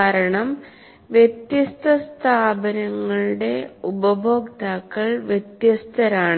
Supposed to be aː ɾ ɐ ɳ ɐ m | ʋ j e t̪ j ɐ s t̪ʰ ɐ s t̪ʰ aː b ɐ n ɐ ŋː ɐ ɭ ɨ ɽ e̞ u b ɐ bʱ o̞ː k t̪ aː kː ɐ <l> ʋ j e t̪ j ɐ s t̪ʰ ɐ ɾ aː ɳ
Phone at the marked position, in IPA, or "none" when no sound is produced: ɭ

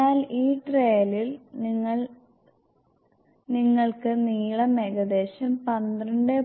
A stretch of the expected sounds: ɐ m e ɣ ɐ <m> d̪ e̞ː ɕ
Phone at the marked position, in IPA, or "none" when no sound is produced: none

